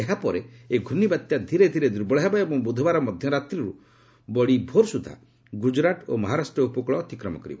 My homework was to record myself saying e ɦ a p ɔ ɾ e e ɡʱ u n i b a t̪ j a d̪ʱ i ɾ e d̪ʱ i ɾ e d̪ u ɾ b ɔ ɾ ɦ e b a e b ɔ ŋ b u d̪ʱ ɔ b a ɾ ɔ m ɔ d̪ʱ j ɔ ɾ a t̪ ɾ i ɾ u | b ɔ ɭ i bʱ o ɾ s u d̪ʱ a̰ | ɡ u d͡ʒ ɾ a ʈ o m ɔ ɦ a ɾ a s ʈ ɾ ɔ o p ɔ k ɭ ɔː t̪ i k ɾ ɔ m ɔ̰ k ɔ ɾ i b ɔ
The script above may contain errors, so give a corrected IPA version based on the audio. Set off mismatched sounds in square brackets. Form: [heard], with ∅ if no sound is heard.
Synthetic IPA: e ɦ a p ɔ ɾ e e ɡʱ u n i b a t̪ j a d̪ʱ i ɾ e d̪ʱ i ɾ e d̪ u ɾ b ɔ [ɭ] ɦ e b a e b ɔ ŋ b u d̪ʱ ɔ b a ɾ ɔ m ɔ d̪ʱ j ɔ ɾ a t̪ ɾ i ɾ u | b ɔ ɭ i bʱ o ɾ s u d̪ʱ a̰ | ɡ u d͡ʒ ɾ a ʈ o m ɔ ɦ a ɾ a s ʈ ɾ ɔ [u] p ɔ k ɭ ɔː t̪ i k ɾ ɔ m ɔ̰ k ɔ ɾ i b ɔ

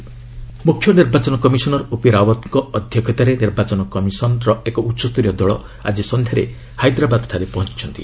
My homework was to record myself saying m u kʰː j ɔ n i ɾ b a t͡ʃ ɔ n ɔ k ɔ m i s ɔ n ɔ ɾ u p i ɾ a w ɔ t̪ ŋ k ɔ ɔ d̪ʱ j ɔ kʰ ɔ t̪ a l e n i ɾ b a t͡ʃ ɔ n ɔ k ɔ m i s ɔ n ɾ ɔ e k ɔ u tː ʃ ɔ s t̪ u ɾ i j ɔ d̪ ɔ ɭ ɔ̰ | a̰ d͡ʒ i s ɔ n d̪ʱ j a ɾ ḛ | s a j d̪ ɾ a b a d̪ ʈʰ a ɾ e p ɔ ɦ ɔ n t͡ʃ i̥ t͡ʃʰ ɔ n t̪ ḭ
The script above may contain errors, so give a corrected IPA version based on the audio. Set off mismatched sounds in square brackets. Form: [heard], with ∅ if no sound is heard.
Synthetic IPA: m u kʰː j ɔ n i ɾ b a t͡ʃ ɔ n ɔ k ɔ m i s ɔ n ɔ ɾ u p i ɾ a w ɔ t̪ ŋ k ɔ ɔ d̪ʱ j ɔ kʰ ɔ t̪ a [ɾ] e n i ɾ b a t͡ʃ ɔ n ɔ k ɔ m i s ɔ n ɾ ɔ e k ɔ u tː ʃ ɔ s t̪ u ɾ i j ɔ d̪ ɔ ɭ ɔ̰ | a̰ d͡ʒ i s ɔ n d̪ʱ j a ɾ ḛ | [h] a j d̪ ɾ a b a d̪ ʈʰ a ɾ e p ɔ ɦ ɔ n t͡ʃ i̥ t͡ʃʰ ɔ n t̪ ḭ

